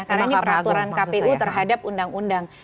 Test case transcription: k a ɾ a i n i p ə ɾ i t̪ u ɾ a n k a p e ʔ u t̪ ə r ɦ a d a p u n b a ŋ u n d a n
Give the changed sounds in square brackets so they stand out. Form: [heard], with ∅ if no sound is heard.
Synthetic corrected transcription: k a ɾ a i n i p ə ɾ [a] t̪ u ɾ a n k a p e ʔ u t̪ ə r ɦ a d a p u n [d] a ŋ u n d a [ŋ]